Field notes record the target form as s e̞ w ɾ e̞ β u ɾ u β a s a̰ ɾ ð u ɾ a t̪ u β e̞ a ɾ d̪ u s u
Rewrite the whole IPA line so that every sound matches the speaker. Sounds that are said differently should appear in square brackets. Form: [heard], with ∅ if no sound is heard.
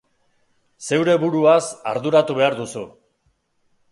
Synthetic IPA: s e̞ w ɾ e̞ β u ɾ u [∅] a s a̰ ɾ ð u ɾ a t̪ u β e̞ a ɾ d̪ u s u